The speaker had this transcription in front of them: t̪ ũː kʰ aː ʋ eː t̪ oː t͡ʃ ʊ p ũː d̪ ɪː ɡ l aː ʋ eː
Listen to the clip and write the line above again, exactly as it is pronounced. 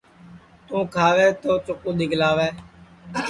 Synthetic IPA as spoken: t̪ ũː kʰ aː ʋ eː t̪ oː t͡ʃ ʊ k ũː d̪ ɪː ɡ l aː ʋ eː